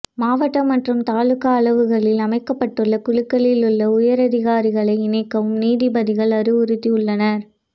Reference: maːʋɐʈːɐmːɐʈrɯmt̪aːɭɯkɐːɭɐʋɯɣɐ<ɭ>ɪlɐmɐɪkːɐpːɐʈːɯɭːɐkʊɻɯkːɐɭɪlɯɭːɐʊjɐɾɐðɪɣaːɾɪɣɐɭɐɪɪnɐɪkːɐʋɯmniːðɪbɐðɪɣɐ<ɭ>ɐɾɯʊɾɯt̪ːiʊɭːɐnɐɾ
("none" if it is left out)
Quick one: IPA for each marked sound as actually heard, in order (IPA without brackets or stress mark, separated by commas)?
ɭ, ɭ